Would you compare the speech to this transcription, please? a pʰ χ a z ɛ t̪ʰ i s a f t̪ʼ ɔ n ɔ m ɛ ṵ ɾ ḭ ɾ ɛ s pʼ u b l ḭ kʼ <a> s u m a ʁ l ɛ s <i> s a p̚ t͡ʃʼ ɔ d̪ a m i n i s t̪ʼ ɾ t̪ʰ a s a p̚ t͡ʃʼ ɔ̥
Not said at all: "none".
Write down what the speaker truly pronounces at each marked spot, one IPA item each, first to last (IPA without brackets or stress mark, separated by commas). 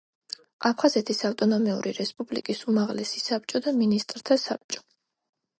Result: i, i